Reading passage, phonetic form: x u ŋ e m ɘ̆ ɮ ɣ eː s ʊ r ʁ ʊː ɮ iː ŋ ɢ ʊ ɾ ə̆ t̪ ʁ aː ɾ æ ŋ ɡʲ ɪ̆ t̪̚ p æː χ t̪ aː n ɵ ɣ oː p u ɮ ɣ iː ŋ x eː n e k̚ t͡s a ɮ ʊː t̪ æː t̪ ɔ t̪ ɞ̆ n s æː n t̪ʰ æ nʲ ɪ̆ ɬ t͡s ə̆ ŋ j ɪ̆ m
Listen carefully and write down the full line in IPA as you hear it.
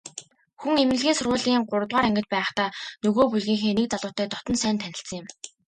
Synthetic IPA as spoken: x u ŋ e m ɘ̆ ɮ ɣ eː s ʊ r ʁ ʊː ɮ iː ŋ ɢ ʊ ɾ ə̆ t̪ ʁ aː ɾ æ ŋ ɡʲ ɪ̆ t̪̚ p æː χ t̪ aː n ɵ ɣ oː p u ɮ ɣ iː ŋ x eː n e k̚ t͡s a ɮ ʊː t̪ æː t̪ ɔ t̪ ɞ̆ n s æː n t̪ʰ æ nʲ ɪ̆ ɬ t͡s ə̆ ŋ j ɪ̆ m